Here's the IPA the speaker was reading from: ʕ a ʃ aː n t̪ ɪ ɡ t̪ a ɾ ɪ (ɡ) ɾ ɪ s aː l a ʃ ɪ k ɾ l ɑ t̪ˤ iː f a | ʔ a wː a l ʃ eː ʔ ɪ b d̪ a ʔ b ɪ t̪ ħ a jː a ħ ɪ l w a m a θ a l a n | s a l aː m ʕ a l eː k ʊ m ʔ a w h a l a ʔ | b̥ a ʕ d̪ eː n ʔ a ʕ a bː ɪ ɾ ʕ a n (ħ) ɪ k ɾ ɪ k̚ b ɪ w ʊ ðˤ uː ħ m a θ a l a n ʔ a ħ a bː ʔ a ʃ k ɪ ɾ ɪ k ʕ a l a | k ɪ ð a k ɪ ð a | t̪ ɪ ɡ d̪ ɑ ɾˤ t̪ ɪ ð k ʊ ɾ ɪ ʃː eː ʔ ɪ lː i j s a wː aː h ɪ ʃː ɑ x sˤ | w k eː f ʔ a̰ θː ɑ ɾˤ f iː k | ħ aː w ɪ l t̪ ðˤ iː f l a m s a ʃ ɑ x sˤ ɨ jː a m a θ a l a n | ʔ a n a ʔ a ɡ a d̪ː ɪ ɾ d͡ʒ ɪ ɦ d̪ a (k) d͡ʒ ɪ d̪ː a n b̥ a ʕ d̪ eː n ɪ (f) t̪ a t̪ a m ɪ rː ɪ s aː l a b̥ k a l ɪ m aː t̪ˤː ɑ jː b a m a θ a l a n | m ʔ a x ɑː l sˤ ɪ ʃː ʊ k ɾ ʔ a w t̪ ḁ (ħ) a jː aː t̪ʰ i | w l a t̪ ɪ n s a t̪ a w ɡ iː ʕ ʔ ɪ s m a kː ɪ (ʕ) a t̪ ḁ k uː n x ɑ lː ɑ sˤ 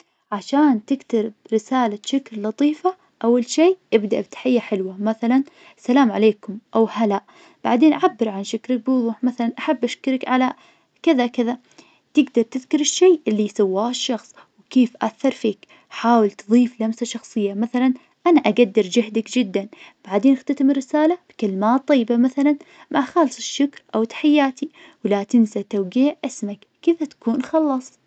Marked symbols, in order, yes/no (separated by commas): no, no, yes, no, yes, no